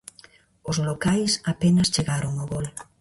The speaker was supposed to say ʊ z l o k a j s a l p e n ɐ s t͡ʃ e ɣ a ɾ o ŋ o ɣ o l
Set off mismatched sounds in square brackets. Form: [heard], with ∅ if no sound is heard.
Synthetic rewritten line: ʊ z l o k a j s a [∅] p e n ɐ s t͡ʃ e ɣ a ɾ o ŋ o ɣ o l